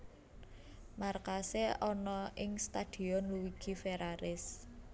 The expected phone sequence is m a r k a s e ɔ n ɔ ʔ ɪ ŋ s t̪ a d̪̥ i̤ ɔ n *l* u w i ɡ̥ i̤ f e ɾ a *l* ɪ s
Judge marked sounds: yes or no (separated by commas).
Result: yes, no